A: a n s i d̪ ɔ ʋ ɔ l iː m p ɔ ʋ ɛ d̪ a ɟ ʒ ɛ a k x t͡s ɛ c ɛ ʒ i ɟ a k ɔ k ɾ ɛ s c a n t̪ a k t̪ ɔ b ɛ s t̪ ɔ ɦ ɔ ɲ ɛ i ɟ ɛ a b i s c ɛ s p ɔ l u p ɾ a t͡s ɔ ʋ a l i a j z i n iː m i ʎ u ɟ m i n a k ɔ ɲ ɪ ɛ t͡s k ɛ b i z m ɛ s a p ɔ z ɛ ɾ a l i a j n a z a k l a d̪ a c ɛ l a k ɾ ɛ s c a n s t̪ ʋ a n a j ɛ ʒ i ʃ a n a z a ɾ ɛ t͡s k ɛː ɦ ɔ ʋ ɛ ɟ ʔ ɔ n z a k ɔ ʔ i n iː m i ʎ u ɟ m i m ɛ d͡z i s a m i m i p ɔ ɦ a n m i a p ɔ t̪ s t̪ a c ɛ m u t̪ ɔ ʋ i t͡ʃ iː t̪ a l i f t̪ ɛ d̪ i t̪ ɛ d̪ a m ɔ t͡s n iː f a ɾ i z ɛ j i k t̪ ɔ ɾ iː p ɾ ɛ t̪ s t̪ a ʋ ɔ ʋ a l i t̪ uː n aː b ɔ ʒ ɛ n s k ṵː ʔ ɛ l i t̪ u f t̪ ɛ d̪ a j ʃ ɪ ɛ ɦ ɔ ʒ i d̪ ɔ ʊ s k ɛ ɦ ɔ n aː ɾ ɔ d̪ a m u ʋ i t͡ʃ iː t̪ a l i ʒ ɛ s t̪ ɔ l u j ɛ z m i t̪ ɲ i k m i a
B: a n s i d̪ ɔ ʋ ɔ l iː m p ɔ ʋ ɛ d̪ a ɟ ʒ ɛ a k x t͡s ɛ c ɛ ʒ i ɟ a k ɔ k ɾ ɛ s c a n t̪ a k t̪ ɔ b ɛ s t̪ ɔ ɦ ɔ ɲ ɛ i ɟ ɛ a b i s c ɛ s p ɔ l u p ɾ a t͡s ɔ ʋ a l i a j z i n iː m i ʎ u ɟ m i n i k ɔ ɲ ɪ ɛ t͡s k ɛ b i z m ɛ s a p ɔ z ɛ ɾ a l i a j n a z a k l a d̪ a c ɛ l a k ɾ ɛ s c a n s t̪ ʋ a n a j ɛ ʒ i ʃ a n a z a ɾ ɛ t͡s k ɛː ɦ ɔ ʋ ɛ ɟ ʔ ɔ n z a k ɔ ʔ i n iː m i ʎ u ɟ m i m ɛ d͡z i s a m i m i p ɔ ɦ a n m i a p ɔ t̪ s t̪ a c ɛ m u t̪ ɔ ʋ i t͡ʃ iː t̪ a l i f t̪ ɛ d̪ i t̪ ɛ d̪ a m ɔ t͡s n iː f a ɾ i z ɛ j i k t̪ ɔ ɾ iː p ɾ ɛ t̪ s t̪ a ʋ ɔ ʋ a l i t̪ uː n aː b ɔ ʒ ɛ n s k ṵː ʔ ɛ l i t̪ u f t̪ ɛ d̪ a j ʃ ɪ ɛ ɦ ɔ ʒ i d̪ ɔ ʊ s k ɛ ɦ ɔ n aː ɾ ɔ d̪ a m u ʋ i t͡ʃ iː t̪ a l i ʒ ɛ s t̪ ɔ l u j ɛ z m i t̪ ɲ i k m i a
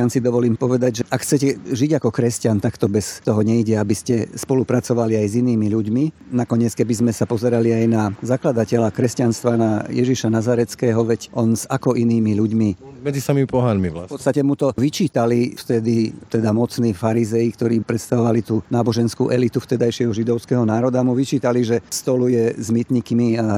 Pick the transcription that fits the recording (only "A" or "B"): A